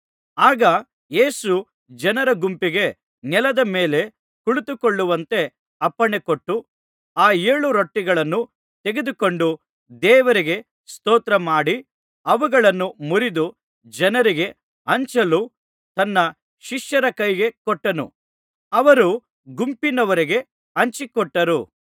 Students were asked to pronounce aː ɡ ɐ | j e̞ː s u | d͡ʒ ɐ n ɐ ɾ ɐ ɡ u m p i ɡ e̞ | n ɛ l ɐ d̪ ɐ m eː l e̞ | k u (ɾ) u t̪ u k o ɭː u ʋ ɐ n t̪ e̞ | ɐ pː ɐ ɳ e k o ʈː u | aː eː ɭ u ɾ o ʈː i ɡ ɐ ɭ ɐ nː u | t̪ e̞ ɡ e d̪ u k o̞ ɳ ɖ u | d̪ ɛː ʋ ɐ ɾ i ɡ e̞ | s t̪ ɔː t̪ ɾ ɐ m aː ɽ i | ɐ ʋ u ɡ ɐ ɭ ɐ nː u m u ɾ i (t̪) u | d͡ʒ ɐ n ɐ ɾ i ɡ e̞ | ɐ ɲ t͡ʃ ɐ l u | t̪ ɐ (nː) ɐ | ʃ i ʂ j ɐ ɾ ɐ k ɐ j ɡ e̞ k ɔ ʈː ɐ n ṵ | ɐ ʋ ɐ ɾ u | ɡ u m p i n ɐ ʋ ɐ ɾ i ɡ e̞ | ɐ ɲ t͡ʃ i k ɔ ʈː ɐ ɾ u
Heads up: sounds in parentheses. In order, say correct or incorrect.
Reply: incorrect: ɭ, incorrect: d̪, correct

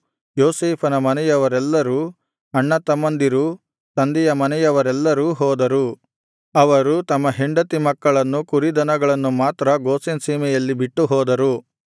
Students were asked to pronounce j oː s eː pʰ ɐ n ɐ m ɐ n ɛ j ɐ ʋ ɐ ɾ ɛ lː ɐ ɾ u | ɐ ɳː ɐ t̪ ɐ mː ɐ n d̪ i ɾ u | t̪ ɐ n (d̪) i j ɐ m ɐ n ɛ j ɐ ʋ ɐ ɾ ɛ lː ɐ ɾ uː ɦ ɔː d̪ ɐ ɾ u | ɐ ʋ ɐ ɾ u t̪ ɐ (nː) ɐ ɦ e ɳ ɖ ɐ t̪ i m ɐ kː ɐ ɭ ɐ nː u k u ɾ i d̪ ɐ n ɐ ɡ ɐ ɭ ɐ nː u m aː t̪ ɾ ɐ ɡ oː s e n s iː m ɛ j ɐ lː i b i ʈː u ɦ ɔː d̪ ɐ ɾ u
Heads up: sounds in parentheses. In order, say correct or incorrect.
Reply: correct, incorrect: mː

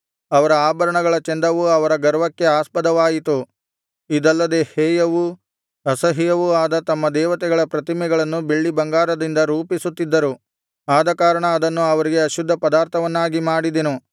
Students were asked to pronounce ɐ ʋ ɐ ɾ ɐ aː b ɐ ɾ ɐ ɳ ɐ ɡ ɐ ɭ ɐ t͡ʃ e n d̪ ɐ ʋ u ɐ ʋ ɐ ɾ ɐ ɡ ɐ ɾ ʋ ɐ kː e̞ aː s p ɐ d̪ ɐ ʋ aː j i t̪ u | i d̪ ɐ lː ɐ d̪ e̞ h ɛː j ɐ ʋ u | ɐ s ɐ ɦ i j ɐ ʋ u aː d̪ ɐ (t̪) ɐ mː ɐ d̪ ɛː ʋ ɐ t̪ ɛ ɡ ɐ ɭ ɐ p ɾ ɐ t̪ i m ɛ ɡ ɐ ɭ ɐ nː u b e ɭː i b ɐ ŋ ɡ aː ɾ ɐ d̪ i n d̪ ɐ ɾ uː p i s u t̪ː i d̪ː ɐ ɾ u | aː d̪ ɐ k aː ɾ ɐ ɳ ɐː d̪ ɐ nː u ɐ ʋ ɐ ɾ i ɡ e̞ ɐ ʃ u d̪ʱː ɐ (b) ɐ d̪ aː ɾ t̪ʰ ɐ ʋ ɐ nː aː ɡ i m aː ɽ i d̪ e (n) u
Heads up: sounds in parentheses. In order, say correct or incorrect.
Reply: correct, incorrect: p, correct

